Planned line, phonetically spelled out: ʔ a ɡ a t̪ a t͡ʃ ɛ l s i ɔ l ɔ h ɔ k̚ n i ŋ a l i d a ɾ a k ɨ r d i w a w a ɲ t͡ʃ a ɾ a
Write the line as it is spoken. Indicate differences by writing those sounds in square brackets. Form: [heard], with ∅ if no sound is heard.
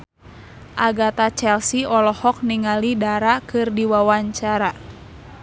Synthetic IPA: ʔ a ɡ a t̪ a t͡ʃ ɛ l s i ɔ l ɔ h ɔ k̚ n i ŋ a l i d a ɾ a k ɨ r d i w a w a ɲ t͡ʃ a ɾ a